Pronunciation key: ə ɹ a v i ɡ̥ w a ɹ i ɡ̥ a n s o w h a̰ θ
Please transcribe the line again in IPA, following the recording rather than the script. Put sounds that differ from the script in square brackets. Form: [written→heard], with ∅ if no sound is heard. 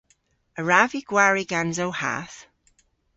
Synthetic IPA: ə ɹ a v i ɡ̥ w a ɹ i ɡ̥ a n [s→z] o w h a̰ θ